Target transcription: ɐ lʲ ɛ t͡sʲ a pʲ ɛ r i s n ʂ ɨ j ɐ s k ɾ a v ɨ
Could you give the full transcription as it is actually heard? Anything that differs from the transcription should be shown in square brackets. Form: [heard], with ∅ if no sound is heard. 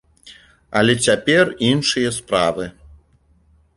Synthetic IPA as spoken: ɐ lʲ ɛ t͡sʲ a pʲ ɛ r i [∅] n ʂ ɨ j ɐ s [p] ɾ a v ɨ

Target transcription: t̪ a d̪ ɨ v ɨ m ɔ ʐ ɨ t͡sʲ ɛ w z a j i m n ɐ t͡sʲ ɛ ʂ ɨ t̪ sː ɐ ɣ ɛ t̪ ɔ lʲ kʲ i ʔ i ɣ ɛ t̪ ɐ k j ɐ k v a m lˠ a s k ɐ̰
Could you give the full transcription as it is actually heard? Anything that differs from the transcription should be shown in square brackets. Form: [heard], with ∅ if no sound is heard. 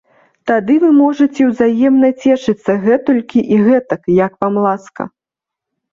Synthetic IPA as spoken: t̪ a d̪ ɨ v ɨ m ɔ ʐ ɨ t͡sʲ ɛ w z a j [ɛ] m n ɐ t͡sʲ ɛ ʂ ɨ t̪ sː ɐ ɣ ɛ t̪ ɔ lʲ kʲ i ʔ i ɣ ɛ t̪ ɐ k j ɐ k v a m lˠ a s k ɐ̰

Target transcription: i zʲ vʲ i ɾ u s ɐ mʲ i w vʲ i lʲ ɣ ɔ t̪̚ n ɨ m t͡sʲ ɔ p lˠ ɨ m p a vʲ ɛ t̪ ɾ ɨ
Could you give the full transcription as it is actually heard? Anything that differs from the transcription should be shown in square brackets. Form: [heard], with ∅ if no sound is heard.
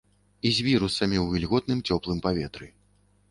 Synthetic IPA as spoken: i zʲ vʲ i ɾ u s ɐ mʲ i w vʲ i lʲ ɣ ɔ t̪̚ n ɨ m t͡sʲ ɔ p lˠ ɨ m p a vʲ ɛ t̪ ɾ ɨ

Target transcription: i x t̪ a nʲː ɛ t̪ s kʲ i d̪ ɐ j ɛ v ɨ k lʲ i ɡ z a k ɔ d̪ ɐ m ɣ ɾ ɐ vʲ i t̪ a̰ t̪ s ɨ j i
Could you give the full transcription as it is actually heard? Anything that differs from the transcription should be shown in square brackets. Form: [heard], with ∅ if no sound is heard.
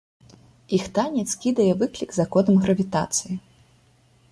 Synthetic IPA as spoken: i x t̪ a [nʲ] ɛ t̪ s kʲ i d̪ ɐ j ɛ v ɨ k lʲ i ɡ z a k ɔ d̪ ɐ m ɣ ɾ ɐ vʲ i t̪ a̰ t̪ s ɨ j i

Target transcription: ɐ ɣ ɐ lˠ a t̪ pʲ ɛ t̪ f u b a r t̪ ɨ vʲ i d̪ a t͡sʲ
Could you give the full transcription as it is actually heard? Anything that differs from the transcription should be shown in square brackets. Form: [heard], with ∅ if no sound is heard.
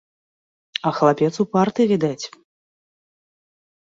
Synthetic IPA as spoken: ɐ [x] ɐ lˠ a [∅] pʲ ɛ t̪ [s] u [p] a r t̪ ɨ vʲ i d̪ a t͡sʲ

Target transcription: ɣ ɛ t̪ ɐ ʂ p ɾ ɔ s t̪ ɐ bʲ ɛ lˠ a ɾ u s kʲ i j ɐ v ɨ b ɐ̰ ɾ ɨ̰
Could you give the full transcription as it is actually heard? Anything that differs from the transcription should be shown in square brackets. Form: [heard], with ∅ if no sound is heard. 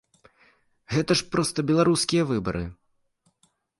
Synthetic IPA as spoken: ɣ ɛ t̪ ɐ ʂ p ɾ ɔ s t̪ ɐ bʲ ɛ lˠ a ɾ u s kʲ i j ɐ v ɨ b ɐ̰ ɾ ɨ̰

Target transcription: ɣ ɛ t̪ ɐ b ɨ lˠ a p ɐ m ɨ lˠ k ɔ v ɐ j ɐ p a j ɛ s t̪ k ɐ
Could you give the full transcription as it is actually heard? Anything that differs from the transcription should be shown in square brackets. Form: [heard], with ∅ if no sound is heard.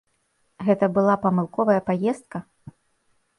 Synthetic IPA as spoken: ɣ ɛ t̪ ɐ b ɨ lˠ a p ɐ m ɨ lˠ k ɔ v ɐ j ɐ p a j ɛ s t̪ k ɐ

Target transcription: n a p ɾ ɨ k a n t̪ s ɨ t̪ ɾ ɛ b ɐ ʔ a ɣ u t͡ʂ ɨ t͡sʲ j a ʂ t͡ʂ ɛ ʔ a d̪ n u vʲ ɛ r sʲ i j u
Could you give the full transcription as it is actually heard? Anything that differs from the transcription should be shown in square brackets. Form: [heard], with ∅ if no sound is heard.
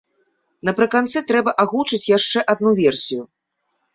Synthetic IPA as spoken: n [ɐ] p ɾ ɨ k a n t̪ s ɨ t̪ ɾ ɛ b ɐ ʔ a ɣ u t͡ʂ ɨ t͡sʲ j a ʂ t͡ʂ ɛ ʔ a d̪ n u vʲ ɛ r sʲ i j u

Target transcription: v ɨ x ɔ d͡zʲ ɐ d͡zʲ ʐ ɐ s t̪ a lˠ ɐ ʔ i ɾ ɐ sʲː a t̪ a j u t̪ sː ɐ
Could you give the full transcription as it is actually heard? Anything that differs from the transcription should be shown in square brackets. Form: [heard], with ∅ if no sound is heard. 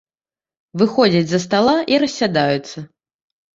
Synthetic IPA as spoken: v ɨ x ɔ d͡zʲ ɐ d͡zʲ [z] ɐ s t̪ a lˠ [a] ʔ i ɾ ɐ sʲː a [d̪] a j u t̪ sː ɐ

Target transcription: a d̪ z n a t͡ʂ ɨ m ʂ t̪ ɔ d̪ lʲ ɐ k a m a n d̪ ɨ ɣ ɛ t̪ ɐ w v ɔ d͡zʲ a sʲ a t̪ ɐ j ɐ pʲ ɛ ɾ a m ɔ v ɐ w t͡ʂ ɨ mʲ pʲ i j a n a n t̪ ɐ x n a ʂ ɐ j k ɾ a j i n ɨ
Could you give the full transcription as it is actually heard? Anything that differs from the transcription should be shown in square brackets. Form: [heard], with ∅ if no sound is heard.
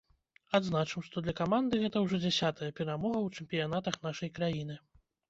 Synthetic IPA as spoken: a d̪ z n a t͡ʂ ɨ m ʂ t̪ ɔ d̪ lʲ ɐ k a m a n d̪ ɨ ɣ ɛ t̪ ɐ w [ʐ] ɔ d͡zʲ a sʲ a t̪ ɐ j ɐ pʲ ɛ ɾ a m ɔ [ɣ] ɐ w t͡ʂ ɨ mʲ pʲ i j a n a [∅] t̪ ɐ x n a ʂ ɐ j k ɾ a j i n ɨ

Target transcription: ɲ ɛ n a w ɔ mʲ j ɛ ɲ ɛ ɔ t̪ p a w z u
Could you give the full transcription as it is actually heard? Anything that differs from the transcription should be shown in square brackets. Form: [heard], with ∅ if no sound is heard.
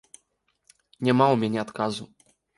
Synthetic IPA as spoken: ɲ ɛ [m] a w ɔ mʲ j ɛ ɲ ɛ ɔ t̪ [k] a [∅] z u

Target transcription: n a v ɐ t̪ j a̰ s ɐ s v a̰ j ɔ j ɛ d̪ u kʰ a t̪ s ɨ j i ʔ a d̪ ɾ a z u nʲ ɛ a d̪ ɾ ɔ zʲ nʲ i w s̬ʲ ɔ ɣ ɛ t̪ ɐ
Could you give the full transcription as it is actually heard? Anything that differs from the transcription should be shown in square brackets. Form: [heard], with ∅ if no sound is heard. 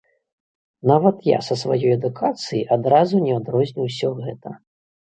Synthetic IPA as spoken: n a v ɐ t̪ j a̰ s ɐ s v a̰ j ɔ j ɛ d̪ u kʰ a t̪ s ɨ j i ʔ a d̪ ɾ a z u nʲ ɛ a d̪ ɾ ɔ zʲ nʲ i w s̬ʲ ɔ ɣ ɛ t̪ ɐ

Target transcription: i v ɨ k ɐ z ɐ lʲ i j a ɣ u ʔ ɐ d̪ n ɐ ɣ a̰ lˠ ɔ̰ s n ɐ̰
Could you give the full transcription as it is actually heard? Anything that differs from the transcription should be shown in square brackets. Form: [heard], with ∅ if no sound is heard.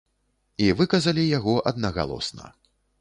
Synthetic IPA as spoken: i v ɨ k ɐ z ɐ lʲ i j a ɣ [ɔ] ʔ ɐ d̪ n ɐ ɣ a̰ lˠ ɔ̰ s n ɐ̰

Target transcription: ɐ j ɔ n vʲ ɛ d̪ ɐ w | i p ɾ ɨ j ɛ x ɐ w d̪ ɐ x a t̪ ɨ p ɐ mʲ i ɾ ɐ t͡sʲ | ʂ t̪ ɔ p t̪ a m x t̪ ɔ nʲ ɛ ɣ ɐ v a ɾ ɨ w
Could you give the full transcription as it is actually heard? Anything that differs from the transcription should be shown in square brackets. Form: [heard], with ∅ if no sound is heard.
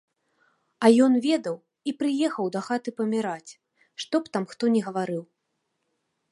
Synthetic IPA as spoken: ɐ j ɔ n vʲ ɛ d̪ ɐ w | i p ɾ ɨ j ɛ x ɐ w d̪ ɐ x a t̪ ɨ p ɐ mʲ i ɾ [a] t͡sʲ | ʂ t̪ ɔ p t̪ a m x t̪ ɔ nʲ ɛ ɣ ɐ v a ɾ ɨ w

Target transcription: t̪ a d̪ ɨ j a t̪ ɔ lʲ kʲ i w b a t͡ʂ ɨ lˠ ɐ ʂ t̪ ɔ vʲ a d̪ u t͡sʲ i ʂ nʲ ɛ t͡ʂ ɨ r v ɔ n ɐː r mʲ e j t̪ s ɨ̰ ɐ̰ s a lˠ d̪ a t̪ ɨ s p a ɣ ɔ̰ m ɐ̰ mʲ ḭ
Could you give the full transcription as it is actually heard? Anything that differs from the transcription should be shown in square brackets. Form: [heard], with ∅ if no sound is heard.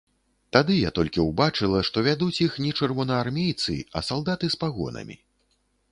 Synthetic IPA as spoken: t̪ a d̪ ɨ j a t̪ ɔ lʲ kʲ i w b a t͡ʂ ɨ lˠ ɐ ʂ t̪ ɔ vʲ a d̪ u t͡sʲ i [x] nʲ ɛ t͡ʂ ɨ r v ɔ n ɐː r mʲ e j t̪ s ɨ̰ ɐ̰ s a lˠ d̪ a t̪ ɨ s p a ɣ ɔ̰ [n] ɐ̰ mʲ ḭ

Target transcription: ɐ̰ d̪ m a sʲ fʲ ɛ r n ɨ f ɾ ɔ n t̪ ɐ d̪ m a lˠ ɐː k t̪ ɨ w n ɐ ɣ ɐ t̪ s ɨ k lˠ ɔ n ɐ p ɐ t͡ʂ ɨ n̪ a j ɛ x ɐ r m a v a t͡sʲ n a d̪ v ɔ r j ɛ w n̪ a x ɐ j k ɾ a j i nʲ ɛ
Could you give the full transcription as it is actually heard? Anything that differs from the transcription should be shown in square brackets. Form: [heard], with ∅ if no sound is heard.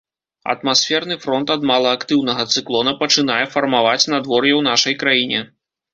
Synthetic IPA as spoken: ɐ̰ [t̪] m a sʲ fʲ ɛ r n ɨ f ɾ ɔ n t̪ ɐ d̪ m a lˠ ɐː k t̪ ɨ w n ɐ ɣ ɐ t̪ s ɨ k lˠ ɔ n ɐ p ɐ t͡ʂ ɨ n̪ a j ɛ [f] ɐ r m a v a t͡sʲ n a d̪ v ɔ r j ɛ w n̪ a [ʂ] ɐ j k ɾ a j i nʲ ɛ

